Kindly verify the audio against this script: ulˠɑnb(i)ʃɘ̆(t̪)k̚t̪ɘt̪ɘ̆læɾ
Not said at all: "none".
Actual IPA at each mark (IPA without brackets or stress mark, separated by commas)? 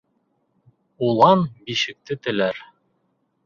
i, none